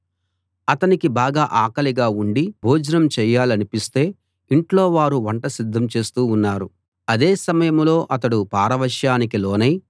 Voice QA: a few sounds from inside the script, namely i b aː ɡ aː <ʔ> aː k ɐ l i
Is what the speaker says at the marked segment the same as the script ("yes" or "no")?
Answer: yes